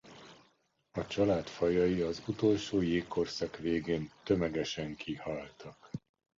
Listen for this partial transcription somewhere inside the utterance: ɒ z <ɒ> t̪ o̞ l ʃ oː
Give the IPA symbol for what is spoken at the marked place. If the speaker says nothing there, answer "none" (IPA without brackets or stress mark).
u